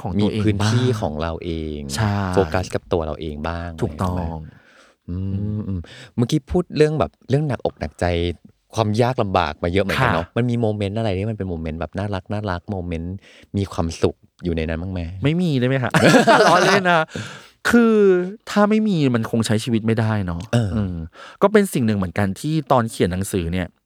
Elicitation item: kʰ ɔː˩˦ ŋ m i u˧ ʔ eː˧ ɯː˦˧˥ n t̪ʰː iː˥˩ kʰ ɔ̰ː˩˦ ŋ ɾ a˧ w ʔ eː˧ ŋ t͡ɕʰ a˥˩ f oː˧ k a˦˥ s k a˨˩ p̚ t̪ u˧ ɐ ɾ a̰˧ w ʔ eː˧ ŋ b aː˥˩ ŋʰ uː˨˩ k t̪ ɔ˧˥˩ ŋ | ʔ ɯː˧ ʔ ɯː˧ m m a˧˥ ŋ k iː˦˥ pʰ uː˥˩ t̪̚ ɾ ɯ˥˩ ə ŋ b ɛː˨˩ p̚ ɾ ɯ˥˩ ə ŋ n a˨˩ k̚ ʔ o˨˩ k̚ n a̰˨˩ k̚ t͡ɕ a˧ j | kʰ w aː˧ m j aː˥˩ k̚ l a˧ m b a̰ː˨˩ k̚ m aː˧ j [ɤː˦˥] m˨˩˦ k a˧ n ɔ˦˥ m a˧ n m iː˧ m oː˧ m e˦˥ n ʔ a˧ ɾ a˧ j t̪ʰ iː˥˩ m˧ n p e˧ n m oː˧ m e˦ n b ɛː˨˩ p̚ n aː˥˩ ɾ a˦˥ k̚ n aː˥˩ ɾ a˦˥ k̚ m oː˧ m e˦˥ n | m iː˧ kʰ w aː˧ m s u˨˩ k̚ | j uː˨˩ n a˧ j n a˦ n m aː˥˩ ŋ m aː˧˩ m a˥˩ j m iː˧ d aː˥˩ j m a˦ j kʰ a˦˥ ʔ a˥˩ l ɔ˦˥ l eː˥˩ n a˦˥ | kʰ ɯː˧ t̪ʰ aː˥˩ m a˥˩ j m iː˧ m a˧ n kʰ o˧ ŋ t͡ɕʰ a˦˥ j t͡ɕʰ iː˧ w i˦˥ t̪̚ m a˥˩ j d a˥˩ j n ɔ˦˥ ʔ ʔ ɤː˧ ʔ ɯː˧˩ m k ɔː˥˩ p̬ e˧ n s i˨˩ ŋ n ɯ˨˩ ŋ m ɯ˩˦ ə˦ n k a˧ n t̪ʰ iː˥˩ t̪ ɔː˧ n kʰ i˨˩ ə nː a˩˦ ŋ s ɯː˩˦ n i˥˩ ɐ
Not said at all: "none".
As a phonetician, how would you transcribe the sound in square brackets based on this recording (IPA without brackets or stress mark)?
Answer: ɤ˦˥